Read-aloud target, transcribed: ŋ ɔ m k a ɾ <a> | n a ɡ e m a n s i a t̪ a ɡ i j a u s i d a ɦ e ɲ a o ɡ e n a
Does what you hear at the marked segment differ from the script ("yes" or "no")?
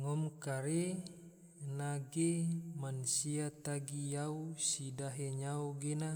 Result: yes